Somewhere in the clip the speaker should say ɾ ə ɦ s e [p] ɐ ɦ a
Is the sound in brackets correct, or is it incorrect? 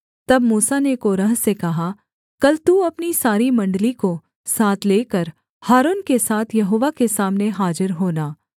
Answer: incorrect